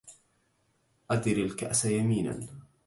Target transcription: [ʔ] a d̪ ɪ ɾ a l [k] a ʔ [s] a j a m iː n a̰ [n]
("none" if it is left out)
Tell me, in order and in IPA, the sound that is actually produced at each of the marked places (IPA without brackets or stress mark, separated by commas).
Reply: ʔ, k, s, n